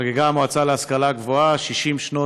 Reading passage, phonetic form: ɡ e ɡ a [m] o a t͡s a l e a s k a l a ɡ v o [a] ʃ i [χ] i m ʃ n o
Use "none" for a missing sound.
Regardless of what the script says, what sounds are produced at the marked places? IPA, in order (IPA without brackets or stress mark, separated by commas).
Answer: m, a, ʃ